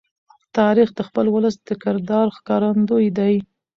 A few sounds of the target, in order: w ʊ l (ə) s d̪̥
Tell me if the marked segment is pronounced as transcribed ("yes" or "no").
yes